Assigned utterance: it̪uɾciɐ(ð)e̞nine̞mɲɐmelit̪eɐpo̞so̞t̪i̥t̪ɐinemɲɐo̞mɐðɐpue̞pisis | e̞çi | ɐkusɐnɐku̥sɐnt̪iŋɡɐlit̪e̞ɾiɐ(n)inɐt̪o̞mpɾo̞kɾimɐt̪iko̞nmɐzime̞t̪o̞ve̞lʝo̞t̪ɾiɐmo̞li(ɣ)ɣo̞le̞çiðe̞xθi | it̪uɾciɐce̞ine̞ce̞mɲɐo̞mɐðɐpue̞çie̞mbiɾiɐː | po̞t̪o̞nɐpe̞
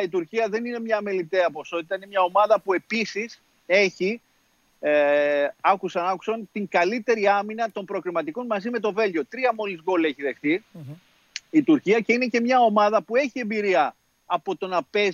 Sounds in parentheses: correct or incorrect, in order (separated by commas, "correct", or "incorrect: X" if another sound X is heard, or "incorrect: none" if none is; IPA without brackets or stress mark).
correct, incorrect: m, incorrect: z